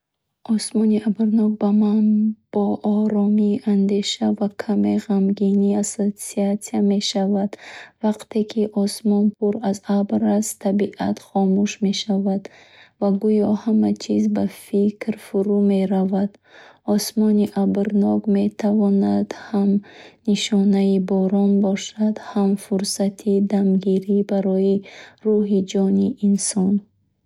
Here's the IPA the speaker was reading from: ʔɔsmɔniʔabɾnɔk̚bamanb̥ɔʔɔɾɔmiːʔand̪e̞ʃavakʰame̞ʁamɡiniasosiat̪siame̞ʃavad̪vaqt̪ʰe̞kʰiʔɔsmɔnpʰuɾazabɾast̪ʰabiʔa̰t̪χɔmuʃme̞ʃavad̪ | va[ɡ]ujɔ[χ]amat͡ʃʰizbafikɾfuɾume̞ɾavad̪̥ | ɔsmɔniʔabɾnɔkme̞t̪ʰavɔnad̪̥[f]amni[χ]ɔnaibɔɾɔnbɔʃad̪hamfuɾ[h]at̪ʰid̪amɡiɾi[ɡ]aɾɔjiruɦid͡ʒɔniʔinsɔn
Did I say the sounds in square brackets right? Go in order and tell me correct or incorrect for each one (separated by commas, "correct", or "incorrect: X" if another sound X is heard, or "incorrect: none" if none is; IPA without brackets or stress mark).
correct, incorrect: h, incorrect: h, incorrect: ʃ, incorrect: s, incorrect: b